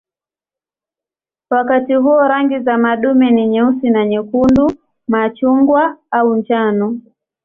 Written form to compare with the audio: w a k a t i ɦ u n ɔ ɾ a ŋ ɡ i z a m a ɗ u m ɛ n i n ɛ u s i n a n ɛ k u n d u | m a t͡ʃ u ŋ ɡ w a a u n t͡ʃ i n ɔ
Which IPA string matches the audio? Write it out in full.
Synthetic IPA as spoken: w a k a t i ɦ u ɔ ɾ a ŋ ɡ i z a m a ɗ u m ɛ n i ɲ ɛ u s i n a ɲ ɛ k u n d u | m a t͡ʃ u ŋ ɡ w a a u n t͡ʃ a n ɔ